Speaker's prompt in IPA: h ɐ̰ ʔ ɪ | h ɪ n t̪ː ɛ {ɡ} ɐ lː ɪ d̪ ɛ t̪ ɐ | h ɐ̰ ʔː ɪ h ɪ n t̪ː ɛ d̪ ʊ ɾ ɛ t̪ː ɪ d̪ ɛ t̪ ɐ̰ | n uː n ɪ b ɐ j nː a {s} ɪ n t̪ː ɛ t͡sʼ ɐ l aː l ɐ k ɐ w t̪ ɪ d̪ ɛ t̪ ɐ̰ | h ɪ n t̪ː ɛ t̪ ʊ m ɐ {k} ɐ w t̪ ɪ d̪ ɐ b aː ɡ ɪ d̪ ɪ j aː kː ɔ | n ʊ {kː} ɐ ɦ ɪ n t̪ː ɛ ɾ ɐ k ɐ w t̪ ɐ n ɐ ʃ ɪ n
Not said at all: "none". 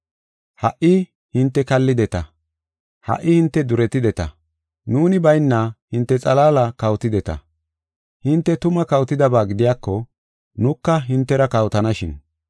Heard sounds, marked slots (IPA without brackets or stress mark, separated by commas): k, h, k, kː